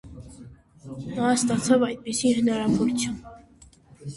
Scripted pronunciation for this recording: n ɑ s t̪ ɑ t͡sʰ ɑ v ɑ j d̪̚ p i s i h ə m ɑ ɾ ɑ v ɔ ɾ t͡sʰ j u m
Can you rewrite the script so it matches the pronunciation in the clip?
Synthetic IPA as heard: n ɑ s t̪ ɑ t͡sʰ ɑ v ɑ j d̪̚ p i s i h ə n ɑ ɾ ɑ v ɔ ɾ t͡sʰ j u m

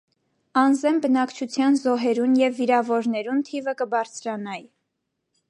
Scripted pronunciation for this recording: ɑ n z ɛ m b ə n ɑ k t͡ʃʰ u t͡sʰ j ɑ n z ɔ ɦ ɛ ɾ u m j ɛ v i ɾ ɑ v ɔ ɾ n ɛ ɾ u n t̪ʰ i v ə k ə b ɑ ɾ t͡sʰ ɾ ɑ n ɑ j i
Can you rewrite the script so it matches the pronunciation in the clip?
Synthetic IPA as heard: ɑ n z ɛ m b ə n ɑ k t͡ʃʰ u t͡sʰ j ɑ n z ɔ ɦ ɛ ɾ u n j ɛ vː i ɾ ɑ v ɔ ɾ n ɛ ɾ u n t̪ʰ i v ə k ə b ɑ ɾ t͡sʰ ɾ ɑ n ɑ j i

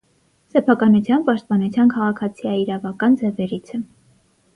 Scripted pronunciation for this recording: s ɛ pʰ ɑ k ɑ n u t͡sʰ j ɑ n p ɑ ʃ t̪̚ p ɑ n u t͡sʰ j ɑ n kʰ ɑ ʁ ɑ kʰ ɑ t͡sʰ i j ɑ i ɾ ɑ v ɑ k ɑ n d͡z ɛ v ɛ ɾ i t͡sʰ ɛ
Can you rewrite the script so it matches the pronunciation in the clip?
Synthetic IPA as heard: s ɛ pʰ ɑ k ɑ n u t͡sʰ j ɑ n p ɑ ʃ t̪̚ p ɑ n u t͡sʰ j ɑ n kʰ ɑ ʁ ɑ kʰ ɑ t͡sʰ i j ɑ i ɾ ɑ v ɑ k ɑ n d͡z ɛ v ɛ ɾ i t͡sʰ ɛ

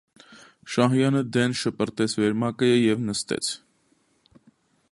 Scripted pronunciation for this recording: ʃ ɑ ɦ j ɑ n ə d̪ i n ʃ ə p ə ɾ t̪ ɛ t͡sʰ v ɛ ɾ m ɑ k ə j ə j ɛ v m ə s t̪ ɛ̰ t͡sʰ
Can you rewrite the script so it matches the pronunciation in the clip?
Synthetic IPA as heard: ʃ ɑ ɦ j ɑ n ə d̪ ɛ n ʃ ə p ə ɾ t̪ ɛ t͡sʰ v ɛ ɾ m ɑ k ə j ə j ɛ v n ə s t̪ ɛ̰ t͡sʰ

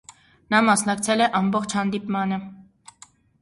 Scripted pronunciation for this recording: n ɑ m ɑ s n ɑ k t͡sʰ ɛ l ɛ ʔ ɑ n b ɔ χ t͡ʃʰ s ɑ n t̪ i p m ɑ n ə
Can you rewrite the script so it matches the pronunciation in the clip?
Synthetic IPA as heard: n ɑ m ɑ s n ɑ k t͡sʰ ɛ l ɛ ʔ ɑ m b ɔ χ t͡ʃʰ h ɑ n d̪ i p m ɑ n ə

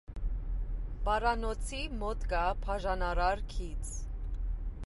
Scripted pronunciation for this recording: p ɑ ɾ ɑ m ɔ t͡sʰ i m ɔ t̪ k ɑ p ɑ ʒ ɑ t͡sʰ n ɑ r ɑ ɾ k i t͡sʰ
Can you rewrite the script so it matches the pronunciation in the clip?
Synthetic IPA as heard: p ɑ ɾ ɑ n ɔ t͡sʰ i m ɔ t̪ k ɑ pʰ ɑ ʒ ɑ n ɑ ɾ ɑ ɾ kʰ i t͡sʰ

